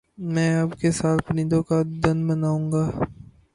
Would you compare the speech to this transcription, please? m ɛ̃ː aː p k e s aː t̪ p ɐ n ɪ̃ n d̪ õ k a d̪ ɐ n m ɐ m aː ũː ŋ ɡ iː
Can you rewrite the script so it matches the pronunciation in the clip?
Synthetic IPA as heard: m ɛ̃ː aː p k e s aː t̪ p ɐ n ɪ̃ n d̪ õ k a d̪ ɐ n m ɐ n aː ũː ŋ ɡ aː